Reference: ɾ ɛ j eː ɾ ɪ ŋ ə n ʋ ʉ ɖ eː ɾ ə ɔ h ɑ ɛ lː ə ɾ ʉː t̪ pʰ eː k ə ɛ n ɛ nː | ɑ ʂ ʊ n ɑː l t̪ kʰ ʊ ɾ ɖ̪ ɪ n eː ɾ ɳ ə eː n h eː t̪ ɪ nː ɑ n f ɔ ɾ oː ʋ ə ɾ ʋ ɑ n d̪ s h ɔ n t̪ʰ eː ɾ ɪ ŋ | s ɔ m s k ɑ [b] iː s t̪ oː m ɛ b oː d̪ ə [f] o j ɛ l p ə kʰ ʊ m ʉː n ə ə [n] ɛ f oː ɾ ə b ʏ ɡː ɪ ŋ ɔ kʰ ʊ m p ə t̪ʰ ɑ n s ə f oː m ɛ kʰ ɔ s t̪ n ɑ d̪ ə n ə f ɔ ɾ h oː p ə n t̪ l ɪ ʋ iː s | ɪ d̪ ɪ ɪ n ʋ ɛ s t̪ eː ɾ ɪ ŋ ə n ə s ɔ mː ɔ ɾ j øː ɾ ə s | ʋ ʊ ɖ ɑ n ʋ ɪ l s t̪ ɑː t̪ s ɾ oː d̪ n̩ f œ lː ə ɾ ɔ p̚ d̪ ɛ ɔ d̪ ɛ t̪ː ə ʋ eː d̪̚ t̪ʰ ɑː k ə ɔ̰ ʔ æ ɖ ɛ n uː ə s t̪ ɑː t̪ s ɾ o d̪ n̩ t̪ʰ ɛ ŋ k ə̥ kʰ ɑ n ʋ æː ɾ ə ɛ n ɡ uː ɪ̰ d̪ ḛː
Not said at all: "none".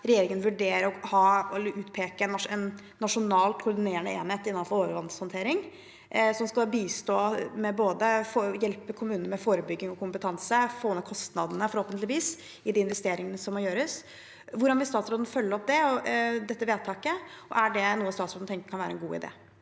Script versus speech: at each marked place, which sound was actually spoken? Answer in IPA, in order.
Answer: b, f, m

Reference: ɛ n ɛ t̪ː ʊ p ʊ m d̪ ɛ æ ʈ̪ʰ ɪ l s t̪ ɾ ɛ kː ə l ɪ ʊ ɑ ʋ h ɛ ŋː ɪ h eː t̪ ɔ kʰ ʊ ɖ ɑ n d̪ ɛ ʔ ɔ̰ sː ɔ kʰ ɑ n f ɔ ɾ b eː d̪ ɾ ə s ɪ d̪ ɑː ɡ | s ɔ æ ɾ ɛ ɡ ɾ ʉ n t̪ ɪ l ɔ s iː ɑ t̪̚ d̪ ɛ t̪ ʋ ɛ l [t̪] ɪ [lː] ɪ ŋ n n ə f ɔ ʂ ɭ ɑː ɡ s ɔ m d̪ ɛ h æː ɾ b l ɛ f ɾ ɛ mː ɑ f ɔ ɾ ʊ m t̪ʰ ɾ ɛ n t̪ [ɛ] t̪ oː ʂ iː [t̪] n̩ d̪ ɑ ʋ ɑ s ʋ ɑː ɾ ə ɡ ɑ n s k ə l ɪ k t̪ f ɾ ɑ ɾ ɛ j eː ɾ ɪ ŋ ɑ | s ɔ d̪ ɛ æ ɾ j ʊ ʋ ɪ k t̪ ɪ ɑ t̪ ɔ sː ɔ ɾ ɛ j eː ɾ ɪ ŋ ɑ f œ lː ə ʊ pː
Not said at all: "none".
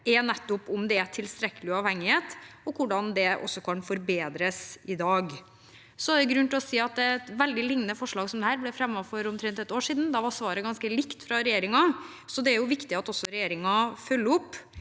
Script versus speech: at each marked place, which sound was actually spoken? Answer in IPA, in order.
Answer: d̪, l, ɛ, d̪

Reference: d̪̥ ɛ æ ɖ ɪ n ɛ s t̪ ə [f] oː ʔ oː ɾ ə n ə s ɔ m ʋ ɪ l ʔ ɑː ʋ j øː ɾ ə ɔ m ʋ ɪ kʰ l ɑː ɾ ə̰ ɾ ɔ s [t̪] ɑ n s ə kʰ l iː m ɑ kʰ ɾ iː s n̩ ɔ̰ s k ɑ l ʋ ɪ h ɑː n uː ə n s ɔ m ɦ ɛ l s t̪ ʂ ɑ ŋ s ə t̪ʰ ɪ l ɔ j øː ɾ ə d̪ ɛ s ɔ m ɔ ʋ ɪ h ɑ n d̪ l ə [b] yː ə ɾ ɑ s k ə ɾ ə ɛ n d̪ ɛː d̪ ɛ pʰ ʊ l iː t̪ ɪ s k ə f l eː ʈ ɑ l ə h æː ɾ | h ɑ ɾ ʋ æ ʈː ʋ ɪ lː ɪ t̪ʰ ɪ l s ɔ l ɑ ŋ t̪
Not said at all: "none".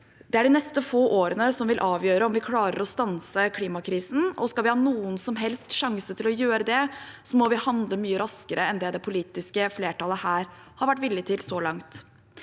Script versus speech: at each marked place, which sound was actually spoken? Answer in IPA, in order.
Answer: f, t̪, m

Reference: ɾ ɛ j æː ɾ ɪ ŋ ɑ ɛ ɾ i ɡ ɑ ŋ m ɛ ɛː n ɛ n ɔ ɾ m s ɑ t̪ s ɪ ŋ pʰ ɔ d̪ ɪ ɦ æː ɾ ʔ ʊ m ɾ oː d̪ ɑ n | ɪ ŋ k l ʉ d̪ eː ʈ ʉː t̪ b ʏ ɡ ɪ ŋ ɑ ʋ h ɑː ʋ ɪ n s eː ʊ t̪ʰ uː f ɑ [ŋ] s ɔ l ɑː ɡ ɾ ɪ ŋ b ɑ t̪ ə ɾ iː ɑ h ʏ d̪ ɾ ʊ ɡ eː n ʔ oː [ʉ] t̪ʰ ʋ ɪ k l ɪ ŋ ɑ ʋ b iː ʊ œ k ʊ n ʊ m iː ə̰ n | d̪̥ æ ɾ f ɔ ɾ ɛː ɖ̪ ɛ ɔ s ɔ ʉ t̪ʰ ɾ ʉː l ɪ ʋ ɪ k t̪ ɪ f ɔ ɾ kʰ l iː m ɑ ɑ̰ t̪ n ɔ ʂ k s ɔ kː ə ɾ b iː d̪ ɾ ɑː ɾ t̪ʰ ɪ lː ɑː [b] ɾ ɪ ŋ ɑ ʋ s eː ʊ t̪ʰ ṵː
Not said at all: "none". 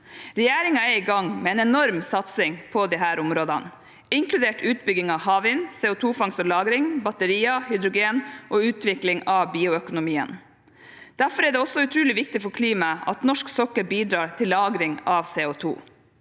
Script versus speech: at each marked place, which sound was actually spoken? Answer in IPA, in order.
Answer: ŋ, ʉː, ɡ

